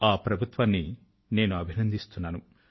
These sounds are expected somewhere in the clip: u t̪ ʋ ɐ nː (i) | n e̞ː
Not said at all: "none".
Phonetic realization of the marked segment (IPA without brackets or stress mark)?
i